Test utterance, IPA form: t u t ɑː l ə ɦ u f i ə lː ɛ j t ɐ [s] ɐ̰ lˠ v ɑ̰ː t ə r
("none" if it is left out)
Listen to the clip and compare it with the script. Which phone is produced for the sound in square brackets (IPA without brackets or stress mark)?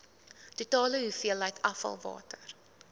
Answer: f